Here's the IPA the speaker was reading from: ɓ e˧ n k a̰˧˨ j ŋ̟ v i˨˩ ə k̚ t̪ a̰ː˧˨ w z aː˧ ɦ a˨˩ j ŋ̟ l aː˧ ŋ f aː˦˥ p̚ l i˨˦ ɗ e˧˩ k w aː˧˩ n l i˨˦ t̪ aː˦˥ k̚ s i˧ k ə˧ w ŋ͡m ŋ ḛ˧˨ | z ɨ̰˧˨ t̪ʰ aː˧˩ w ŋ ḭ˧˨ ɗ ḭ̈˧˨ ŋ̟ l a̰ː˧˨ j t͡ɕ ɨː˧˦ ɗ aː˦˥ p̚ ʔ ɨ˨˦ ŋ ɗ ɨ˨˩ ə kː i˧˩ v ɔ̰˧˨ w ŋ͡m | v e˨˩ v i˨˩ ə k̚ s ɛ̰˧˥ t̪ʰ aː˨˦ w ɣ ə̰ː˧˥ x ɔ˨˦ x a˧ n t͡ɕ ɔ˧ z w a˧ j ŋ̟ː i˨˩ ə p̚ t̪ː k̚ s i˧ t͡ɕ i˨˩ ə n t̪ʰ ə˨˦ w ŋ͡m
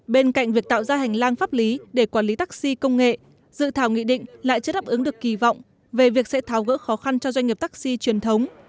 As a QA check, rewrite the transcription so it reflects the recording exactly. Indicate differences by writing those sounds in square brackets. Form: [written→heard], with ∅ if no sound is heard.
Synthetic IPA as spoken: ɓ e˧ n k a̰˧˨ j ŋ̟ v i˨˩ ə k̚ t̪ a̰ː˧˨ w z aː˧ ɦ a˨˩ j ŋ̟ l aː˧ ŋ f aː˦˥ p̚ l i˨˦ ɗ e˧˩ k w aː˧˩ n l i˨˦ t̪ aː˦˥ k̚ s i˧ k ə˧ w ŋ͡m ŋ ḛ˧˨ | z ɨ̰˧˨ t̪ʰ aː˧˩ w ŋ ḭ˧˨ ɗ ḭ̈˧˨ ŋ̟ l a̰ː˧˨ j t͡ɕ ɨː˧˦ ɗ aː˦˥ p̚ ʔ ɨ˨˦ ŋ ɗ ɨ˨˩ ə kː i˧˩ v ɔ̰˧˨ w ŋ͡m | v e˨˩ v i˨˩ ə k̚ s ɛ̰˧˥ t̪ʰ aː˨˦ w ɣ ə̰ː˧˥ x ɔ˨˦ x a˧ n t͡ɕ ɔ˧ z w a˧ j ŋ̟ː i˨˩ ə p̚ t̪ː k̚ s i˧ t͡ɕ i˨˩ ə n t̪ʰ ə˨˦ w ŋ͡m

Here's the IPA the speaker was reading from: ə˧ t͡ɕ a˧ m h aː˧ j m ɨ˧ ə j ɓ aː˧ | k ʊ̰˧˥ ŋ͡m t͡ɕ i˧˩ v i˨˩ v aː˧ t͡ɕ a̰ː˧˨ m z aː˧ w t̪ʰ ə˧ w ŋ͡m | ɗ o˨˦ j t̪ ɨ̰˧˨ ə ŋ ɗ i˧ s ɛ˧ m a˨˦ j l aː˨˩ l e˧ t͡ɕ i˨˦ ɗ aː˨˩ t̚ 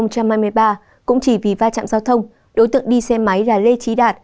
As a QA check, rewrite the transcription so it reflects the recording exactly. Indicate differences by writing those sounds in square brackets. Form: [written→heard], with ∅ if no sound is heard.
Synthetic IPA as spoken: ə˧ t͡ɕ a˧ m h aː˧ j m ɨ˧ ə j ɓ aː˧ | k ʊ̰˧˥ ŋ͡m t͡ɕ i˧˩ v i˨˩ v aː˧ t͡ɕ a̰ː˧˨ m z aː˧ w t̪ʰ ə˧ w ŋ͡m | ɗ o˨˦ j t̪ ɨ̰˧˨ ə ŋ ɗ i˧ s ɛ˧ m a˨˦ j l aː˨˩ l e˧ t͡ɕ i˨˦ ɗ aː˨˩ t̚

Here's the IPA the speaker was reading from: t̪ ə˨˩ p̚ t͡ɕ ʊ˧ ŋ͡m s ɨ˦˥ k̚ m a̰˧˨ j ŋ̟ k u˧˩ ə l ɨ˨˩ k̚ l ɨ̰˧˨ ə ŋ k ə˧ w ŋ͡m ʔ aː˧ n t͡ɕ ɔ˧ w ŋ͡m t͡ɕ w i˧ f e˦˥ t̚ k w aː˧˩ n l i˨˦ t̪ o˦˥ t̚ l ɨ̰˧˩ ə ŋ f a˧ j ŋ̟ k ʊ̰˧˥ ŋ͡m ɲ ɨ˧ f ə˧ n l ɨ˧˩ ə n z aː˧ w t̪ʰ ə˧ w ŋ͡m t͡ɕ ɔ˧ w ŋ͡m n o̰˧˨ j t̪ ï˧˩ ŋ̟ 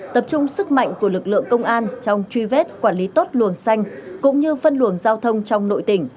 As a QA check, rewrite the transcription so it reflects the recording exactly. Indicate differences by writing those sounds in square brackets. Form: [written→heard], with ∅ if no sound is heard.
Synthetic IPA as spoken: t̪ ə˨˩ p̚ t͡ɕ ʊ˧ ŋ͡m s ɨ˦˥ k̚ m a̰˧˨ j ŋ̟ k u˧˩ ə l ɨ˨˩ k̚ l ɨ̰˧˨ ə ŋ k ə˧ w ŋ͡m ʔ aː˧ n t͡ɕ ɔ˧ w ŋ͡m t͡ɕ w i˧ [f→v] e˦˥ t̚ k w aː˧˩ n l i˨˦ t̪ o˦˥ t̚ l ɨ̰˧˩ ə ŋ [f→s] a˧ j ŋ̟ k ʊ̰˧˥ ŋ͡m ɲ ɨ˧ f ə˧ n l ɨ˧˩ ə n z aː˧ w t̪ʰ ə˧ w ŋ͡m t͡ɕ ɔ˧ w ŋ͡m n o̰˧˨ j t̪ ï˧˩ ŋ̟

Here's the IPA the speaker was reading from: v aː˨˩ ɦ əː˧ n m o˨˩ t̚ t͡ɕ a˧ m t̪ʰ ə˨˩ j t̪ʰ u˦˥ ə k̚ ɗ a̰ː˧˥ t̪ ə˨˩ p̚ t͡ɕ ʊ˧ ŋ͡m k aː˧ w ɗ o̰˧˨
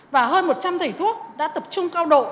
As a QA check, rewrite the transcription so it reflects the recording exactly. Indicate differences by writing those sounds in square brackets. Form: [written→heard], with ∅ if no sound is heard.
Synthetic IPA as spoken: v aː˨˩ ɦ əː˧ n m o˨˩ t̚ t͡ɕ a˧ m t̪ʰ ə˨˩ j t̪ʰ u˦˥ ə k̚ ɗ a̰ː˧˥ t̪ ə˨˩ p̚ t͡ɕ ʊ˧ ŋ͡m k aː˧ w ɗ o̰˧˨

